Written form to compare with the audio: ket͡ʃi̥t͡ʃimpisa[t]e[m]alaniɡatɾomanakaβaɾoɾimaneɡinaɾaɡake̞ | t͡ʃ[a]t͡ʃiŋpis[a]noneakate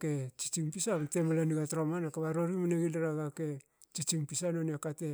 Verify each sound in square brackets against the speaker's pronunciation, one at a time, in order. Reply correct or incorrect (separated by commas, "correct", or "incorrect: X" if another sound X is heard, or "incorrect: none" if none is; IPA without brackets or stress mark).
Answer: correct, correct, incorrect: i, correct